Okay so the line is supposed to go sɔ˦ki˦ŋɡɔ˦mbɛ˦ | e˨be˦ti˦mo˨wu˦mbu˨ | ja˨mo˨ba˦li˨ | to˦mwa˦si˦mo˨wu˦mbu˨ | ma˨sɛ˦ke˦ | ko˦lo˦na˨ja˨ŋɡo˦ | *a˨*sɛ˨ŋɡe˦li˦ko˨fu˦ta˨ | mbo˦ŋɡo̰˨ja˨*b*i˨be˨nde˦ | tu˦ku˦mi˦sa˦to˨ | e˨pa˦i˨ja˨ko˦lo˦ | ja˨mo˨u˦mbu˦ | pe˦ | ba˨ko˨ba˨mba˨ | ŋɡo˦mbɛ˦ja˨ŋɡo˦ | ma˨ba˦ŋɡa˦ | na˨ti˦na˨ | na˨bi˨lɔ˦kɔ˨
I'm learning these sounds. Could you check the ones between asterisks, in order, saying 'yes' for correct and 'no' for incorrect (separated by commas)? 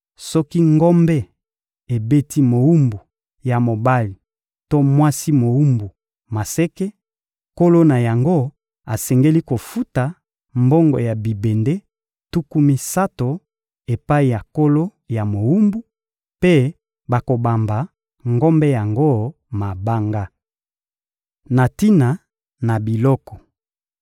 yes, yes